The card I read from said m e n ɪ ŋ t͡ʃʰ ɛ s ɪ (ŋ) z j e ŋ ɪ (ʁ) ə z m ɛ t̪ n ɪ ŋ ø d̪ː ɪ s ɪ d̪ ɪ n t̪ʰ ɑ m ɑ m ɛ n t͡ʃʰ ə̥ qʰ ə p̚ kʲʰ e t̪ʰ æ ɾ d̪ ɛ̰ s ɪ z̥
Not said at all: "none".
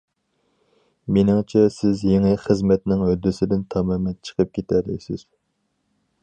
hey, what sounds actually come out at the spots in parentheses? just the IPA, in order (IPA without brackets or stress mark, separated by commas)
none, χ